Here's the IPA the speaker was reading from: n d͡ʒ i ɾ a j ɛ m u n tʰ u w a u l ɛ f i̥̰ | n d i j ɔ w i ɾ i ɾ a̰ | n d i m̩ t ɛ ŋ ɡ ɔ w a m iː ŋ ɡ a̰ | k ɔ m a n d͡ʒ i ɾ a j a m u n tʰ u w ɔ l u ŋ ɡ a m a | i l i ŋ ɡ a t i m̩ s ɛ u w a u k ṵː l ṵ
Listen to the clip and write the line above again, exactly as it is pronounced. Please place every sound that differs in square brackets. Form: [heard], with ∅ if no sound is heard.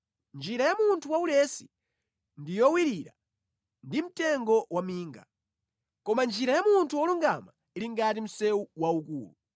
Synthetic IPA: n d͡ʒ i ɾ a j [a] m u n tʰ u w a u l ɛ [s] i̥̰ | n d i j ɔ w i ɾ i ɾ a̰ | n d i m̩ t ɛ ŋ ɡ ɔ w a m iː ŋ ɡ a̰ | k ɔ m a n d͡ʒ i ɾ a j a m u n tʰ u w ɔ l u ŋ ɡ a m a | i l i ŋ ɡ a t i m̩ s ɛ u w a u k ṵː l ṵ

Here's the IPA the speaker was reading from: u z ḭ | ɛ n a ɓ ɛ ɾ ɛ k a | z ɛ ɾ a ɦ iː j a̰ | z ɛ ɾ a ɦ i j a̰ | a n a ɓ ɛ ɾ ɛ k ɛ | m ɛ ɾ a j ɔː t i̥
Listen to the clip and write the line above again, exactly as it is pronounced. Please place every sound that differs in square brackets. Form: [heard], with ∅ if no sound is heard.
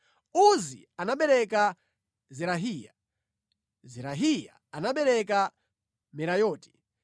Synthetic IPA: u z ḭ | [a] n a ɓ ɛ ɾ ɛ k a | z ɛ ɾ a ɦ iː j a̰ | z ɛ ɾ a ɦ i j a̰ | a n a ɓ ɛ ɾ ɛ k [a] | m ɛ ɾ a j ɔː t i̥

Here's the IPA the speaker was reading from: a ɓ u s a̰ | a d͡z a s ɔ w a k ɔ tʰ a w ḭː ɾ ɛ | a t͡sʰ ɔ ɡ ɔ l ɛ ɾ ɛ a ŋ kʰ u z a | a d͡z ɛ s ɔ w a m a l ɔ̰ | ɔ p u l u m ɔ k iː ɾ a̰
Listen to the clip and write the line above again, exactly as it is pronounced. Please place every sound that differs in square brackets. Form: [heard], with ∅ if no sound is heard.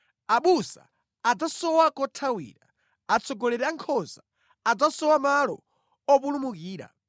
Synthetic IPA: a ɓ u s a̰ | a d͡z a s ɔ w a k ɔ tʰ a w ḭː ɾ [a] | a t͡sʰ ɔ ɡ ɔ l ɛ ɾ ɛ a ŋ kʰ [ɔ] z a | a d͡z [a] s ɔ w a m a l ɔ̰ | ɔ p u l u m [u] k iː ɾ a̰

